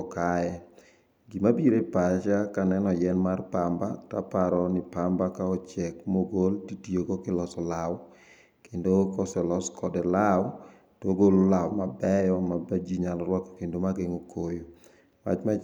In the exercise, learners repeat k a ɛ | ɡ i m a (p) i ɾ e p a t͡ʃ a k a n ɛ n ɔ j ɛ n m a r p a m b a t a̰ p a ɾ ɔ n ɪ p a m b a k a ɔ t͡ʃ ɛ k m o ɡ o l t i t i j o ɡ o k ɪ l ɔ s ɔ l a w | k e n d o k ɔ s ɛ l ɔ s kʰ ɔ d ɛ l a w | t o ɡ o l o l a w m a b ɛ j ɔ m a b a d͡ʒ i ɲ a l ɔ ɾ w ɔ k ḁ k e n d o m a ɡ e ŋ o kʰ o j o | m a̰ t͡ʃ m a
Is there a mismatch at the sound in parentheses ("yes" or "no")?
yes